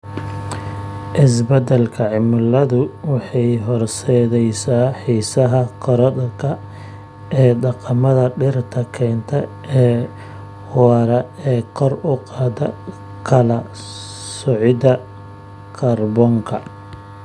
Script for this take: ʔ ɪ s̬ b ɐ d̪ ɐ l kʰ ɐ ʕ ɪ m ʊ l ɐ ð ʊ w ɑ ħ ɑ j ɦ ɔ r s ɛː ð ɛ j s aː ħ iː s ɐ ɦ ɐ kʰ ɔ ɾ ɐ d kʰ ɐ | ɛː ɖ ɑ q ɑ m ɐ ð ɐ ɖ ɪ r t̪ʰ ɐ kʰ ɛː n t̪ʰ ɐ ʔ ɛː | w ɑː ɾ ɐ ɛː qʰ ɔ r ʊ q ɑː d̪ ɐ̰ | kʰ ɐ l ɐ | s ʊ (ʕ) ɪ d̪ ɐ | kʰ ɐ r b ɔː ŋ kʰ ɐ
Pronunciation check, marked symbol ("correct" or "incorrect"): correct